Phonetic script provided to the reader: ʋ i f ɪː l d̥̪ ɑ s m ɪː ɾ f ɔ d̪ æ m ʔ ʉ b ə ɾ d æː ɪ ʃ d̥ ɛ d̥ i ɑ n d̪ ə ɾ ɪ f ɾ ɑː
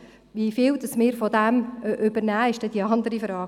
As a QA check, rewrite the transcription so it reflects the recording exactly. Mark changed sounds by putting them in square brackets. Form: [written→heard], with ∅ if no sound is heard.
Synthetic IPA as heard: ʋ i f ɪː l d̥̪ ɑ s m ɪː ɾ f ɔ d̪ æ m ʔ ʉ b ə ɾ [d→n] æː ɪ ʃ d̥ ɛ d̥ i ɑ n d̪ ə ɾ [ɪ→i] f ɾ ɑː